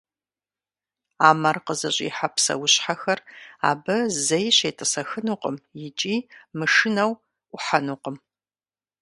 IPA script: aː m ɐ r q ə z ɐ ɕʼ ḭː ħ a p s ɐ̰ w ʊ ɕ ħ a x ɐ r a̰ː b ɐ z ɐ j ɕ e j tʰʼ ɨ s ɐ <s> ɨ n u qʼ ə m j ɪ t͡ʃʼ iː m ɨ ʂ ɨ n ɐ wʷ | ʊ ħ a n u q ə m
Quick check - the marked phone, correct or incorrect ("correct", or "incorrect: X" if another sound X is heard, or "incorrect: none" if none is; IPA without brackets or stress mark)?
incorrect: x